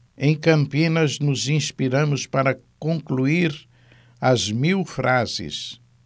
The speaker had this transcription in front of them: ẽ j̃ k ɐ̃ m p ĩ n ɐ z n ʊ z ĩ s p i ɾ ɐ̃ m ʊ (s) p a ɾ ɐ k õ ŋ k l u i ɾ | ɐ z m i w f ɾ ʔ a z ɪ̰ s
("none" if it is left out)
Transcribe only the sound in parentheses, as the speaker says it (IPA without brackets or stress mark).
s